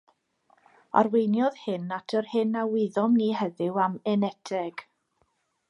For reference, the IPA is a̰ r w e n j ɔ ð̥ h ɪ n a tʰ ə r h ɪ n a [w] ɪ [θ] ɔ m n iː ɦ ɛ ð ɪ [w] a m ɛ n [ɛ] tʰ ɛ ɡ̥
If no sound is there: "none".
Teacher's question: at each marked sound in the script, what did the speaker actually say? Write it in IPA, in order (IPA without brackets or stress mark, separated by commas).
w, ð, w, ɛ